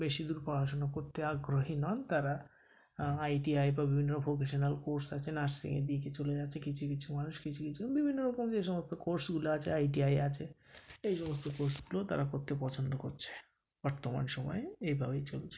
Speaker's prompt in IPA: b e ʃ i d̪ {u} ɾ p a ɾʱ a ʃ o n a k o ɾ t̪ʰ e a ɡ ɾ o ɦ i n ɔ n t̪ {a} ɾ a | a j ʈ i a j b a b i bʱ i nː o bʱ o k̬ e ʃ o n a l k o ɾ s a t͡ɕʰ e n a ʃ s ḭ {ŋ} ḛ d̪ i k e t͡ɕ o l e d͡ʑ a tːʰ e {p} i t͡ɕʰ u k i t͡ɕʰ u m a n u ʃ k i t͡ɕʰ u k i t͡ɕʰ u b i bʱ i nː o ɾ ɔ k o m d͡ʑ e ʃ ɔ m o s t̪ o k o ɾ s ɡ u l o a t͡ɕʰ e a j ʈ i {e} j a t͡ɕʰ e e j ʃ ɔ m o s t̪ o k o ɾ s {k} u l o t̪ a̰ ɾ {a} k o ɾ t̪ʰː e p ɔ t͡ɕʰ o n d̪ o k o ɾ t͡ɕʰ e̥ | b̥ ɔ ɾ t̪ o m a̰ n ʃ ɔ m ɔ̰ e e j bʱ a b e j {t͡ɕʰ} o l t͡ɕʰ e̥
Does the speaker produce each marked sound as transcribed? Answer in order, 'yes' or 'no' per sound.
yes, yes, yes, no, no, no, yes, no

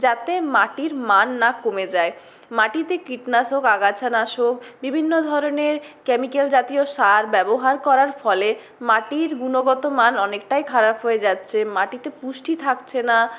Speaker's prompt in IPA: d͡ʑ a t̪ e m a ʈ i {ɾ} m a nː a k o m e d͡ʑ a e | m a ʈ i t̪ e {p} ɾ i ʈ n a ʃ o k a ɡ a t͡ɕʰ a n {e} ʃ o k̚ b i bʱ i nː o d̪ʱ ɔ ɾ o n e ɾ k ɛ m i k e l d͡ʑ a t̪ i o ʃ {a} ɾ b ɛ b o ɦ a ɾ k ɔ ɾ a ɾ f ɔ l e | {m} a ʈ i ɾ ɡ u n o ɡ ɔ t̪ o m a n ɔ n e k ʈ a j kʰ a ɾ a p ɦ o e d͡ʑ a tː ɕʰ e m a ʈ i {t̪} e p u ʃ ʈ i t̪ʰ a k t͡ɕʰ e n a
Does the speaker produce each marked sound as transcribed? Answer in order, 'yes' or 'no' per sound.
yes, no, no, yes, yes, yes

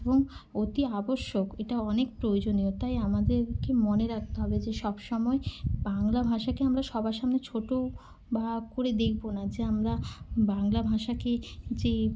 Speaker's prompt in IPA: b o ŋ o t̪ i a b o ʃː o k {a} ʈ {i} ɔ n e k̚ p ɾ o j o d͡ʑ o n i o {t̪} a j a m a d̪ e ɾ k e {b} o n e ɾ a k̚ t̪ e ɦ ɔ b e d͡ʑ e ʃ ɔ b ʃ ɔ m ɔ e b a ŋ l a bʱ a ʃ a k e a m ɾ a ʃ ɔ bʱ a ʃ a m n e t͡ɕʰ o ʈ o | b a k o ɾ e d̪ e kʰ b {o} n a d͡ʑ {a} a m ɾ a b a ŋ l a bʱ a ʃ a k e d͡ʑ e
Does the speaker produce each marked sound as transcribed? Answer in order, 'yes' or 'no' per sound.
no, no, yes, no, yes, no

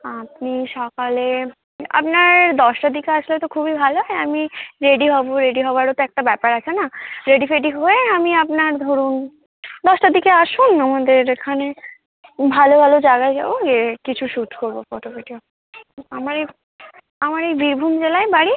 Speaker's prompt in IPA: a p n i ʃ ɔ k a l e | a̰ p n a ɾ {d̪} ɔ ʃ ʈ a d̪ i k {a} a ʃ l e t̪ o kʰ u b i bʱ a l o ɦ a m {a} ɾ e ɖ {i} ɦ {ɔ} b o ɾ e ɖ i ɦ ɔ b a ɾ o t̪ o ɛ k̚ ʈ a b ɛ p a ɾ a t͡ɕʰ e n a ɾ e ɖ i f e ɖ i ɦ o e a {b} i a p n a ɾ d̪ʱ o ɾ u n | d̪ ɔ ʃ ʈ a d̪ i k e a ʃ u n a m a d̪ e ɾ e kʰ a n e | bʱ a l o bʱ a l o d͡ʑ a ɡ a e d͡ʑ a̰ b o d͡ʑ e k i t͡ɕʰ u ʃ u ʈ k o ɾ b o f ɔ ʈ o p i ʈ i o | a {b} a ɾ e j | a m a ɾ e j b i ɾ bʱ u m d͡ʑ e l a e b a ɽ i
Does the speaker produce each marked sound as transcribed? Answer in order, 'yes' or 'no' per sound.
yes, no, no, yes, yes, no, no

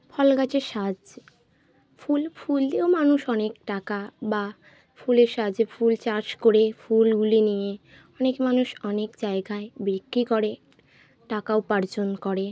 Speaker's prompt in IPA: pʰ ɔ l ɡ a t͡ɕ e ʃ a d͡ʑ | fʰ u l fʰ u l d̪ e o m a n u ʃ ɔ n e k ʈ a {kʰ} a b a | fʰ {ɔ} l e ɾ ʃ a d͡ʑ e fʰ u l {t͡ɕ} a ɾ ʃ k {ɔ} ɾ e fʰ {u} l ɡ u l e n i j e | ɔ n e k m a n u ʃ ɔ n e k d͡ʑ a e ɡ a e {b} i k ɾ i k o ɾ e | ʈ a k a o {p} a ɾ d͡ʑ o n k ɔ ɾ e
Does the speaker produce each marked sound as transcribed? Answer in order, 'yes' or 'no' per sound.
no, no, yes, no, yes, yes, yes

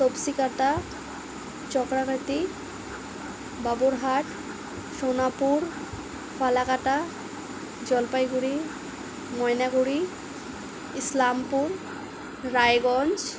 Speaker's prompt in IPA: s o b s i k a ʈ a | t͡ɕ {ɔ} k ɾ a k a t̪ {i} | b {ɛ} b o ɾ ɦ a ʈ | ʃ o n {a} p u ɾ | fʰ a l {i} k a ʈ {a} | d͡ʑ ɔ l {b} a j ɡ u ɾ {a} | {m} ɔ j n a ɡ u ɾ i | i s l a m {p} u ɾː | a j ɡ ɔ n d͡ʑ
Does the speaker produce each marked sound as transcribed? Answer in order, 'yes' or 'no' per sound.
yes, yes, no, yes, no, yes, no, no, yes, yes

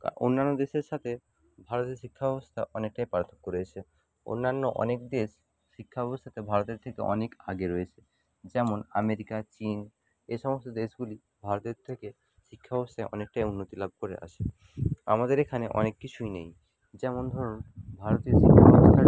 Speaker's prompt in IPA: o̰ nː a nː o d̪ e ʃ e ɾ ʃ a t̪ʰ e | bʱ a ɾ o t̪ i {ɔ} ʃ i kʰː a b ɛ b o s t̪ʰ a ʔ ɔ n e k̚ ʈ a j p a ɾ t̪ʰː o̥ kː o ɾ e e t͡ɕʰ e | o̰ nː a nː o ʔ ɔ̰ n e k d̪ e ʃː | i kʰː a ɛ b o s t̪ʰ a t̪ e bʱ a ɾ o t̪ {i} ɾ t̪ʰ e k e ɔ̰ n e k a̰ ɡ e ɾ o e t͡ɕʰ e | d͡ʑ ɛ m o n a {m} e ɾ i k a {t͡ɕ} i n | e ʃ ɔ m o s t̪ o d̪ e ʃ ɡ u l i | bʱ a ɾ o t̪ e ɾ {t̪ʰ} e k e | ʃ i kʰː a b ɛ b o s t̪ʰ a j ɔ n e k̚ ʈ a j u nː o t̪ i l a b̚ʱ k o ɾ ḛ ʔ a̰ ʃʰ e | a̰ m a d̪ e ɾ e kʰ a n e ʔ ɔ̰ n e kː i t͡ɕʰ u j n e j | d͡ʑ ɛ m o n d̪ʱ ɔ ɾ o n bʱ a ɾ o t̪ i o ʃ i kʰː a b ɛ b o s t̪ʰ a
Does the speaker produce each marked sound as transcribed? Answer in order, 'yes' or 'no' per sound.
no, no, yes, yes, yes

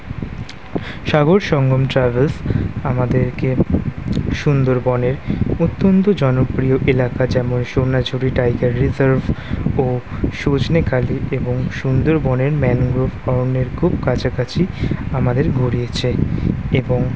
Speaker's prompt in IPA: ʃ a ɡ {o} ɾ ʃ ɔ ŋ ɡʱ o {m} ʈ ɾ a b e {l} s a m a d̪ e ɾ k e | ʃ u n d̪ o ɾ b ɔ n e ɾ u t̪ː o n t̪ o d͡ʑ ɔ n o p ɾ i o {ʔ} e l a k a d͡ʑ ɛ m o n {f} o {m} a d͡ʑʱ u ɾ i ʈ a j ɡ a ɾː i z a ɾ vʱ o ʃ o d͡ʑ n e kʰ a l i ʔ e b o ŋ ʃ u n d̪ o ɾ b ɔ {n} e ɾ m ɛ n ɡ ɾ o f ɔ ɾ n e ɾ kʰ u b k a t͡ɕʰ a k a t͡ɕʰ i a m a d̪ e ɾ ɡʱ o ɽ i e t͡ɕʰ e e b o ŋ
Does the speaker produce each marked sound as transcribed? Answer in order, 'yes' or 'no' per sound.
yes, yes, yes, yes, no, no, yes

